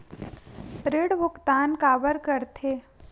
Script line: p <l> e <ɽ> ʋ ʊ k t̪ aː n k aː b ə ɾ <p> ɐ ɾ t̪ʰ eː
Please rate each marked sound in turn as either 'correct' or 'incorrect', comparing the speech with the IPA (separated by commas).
incorrect, correct, incorrect